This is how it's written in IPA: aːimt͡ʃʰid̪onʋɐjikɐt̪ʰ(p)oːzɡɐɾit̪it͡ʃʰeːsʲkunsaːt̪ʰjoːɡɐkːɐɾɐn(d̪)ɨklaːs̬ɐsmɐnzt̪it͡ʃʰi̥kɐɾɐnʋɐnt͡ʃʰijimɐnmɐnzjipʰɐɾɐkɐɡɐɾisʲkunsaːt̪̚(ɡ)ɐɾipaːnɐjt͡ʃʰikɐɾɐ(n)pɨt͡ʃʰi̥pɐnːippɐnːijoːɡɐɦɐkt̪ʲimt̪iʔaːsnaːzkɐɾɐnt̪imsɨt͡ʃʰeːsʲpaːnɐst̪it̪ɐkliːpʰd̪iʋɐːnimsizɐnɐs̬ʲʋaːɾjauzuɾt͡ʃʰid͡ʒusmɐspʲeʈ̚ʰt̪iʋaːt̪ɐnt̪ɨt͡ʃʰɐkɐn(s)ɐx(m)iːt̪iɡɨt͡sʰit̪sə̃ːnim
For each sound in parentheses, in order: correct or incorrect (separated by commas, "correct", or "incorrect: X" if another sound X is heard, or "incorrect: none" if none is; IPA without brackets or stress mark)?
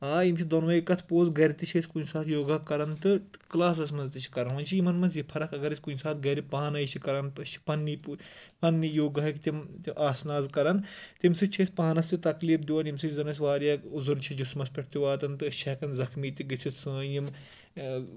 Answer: correct, incorrect: t̪, correct, correct, incorrect: z, correct